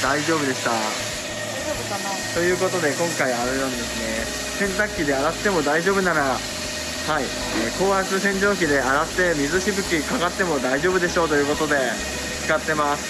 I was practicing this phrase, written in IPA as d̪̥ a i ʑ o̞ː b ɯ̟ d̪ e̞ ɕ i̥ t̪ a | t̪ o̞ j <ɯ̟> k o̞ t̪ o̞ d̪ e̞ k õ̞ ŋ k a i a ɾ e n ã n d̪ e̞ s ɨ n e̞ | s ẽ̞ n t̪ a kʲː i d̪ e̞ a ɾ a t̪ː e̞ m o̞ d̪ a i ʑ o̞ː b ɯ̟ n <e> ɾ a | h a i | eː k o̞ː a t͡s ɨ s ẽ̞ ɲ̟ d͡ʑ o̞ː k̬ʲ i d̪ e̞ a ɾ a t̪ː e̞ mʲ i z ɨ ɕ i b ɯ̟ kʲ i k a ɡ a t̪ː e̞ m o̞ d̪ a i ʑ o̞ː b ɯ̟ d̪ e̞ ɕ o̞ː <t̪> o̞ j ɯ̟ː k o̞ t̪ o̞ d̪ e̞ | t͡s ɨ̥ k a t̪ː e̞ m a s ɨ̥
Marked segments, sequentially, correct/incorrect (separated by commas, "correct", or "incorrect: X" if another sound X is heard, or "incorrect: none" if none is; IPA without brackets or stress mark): incorrect: ɯ̟ː, incorrect: a, correct